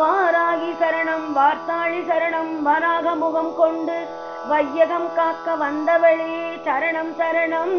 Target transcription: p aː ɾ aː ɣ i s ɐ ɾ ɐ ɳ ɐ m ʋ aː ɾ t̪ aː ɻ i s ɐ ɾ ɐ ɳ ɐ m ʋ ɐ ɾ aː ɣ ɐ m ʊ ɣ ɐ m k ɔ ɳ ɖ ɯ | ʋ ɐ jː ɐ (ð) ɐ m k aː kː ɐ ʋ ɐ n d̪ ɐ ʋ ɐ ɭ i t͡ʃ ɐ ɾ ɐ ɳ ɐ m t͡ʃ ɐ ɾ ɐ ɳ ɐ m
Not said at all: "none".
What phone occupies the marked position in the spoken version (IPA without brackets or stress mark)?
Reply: ɣ